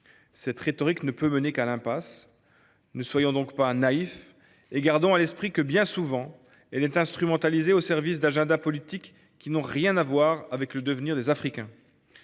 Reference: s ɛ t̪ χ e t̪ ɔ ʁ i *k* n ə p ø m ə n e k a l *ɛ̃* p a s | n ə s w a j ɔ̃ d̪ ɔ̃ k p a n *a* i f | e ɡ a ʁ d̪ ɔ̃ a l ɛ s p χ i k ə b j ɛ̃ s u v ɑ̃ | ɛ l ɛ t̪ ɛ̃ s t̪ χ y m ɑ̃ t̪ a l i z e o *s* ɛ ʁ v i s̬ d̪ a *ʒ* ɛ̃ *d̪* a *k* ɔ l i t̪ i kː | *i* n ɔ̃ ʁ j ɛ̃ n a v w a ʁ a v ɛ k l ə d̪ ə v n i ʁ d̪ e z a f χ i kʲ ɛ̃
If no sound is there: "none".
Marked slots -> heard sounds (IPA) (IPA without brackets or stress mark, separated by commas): k, ɛ̃, a, s, ʒ, d̪, p, i